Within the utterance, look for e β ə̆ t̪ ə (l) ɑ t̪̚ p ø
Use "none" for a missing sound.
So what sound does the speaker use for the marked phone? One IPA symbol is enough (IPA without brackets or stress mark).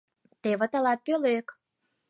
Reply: l